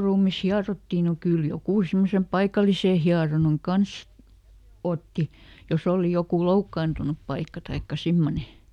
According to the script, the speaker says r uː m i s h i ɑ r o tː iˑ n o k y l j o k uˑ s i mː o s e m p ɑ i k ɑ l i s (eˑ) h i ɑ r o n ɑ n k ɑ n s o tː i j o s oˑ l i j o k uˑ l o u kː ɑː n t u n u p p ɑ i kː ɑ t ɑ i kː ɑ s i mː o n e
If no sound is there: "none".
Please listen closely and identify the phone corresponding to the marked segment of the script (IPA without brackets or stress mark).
eˑ